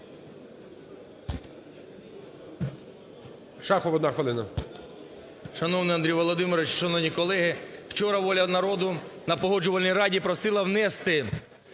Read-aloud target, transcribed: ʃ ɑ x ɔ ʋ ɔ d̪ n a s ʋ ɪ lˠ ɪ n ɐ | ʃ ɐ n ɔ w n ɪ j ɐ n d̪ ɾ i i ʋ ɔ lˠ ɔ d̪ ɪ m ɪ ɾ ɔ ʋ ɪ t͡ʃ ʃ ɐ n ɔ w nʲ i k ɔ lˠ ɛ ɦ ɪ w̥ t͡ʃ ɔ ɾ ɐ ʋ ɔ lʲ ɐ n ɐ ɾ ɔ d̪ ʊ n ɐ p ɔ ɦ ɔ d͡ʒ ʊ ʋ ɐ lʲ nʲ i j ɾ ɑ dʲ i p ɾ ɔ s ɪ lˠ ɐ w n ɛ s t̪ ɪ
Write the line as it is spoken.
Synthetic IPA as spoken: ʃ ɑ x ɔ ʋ ɔ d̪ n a x ʋ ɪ lˠ ɪ n ɐ | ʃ ɐ n ɔ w n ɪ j ɐ n d̪ ɾ i j ʋ ɔ lˠ ɔ d̪ ɪ m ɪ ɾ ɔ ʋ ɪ t͡ʃ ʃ ɐ n ɔ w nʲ i k ɔ lˠ ɛ ɦ ɪ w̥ t͡ʃ ɔ ɾ ɐ ʋ ɔ lʲ ɐ n ɐ ɾ ɔ d̪ ʊ n ɐ p ɔ ɦ ɔ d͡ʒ ʊ ʋ ɐ lʲ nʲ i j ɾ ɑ dʲ i p ɾ ɔ s ɪ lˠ ɐ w n ɛ s t̪ ɪ